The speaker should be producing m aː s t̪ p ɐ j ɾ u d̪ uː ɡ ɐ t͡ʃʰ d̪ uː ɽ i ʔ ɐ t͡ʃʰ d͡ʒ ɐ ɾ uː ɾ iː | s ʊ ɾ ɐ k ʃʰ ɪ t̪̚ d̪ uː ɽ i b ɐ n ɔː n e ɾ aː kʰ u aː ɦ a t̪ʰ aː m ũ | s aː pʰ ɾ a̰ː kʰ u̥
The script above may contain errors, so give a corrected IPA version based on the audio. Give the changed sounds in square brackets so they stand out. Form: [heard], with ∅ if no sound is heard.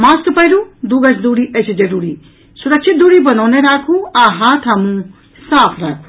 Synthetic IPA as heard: m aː s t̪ p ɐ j ɾ u d̪ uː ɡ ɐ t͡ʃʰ d̪ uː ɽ i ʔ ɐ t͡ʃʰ d͡ʒ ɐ ɾ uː ɾ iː | s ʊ ɾ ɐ k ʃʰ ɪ t̪̚ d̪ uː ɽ i b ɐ n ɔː n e ɾ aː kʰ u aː ɦ a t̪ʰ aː m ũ | s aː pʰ ɾ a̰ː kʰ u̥